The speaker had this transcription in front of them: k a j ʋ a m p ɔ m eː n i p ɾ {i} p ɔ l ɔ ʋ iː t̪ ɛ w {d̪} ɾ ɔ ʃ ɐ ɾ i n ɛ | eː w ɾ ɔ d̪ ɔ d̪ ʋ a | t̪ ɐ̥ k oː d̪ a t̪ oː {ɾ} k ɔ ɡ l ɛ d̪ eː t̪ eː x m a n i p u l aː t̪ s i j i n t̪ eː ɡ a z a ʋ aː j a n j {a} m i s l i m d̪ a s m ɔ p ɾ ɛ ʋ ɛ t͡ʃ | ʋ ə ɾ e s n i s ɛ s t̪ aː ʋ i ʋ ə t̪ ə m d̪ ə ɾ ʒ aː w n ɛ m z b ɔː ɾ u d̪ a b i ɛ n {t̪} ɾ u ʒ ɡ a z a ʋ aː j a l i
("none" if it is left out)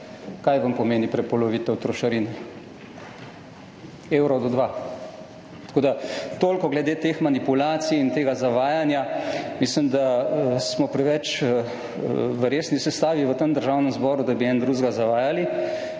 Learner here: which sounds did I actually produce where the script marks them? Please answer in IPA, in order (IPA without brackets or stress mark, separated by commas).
ɛ, t̪, l, a, d̪